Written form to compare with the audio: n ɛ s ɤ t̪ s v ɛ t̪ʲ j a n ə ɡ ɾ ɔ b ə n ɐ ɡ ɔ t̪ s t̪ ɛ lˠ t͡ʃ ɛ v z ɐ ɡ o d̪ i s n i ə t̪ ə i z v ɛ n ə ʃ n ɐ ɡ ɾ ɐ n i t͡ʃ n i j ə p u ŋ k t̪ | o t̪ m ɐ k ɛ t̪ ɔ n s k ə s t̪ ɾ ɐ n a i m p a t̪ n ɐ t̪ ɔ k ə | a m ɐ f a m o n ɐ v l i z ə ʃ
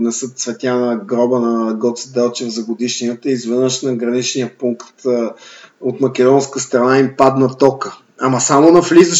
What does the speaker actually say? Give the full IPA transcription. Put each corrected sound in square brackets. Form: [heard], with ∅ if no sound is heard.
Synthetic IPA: n ɛ s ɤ t̪ s v ɛ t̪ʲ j a n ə ɡ ɾ ɔ b ə n ɐ ɡ ɔ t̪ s [d̪] ɛ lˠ t͡ʃ ɛ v z ɐ ɡ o d̪ i [ʃ] n i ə t̪ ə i z v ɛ n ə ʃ n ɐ ɡ ɾ ɐ n i t͡ʃ n i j ə p u ŋ k t̪ | o t̪ m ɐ k ɛ [d̪] ɔ n s k ə s t̪ ɾ ɐ n a i m p a [d̪] n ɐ t̪ ɔ k ə | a m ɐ [s] a m o n ɐ [f] l i z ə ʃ